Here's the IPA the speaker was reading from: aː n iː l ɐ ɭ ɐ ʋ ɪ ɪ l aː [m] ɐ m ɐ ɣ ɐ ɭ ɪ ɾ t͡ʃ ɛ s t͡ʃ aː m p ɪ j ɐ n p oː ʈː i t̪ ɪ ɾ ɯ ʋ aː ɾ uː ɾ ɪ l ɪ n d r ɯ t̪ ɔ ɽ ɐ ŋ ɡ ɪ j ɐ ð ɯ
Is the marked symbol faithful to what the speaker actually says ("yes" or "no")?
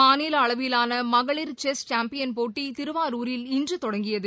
no